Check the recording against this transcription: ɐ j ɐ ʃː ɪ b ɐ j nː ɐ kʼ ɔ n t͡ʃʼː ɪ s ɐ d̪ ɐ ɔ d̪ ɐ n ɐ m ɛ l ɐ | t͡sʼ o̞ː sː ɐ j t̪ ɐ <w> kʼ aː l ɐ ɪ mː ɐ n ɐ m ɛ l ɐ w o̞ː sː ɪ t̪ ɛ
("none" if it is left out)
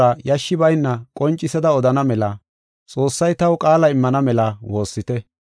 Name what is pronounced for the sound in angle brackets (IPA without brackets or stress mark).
w